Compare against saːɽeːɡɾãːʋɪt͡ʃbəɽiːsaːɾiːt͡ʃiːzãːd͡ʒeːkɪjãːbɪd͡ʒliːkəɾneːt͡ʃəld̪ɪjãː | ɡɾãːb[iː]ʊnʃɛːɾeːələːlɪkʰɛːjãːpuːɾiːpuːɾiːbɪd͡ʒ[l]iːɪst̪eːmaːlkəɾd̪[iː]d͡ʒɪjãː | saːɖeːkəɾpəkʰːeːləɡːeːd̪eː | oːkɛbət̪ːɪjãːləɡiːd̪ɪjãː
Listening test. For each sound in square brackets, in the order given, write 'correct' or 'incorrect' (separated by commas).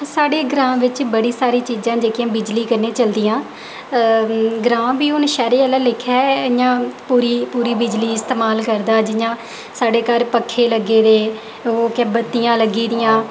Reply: correct, correct, incorrect